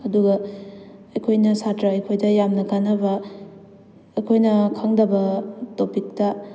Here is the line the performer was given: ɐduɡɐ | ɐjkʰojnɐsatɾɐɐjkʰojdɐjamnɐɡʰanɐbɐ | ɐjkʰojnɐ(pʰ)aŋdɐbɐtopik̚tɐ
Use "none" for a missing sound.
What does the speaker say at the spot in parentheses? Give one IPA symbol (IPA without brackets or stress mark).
kʰ